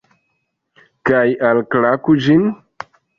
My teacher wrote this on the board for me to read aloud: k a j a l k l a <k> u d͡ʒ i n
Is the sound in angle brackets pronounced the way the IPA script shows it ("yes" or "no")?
yes